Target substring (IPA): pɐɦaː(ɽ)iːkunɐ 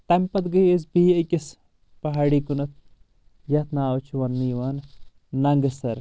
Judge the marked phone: correct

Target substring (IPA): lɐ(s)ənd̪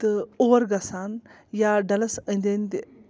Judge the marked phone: correct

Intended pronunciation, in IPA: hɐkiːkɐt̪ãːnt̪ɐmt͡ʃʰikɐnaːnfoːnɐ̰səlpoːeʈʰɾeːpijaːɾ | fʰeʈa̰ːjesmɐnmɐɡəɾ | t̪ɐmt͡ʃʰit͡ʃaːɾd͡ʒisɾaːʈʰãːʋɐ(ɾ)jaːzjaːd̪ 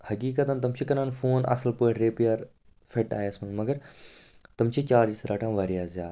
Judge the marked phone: correct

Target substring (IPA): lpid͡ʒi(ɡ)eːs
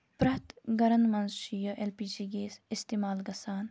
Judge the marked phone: correct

